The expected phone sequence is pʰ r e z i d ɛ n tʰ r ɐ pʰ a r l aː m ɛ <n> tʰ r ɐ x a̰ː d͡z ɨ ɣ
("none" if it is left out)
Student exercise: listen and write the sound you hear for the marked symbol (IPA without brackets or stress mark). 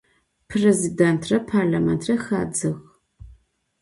n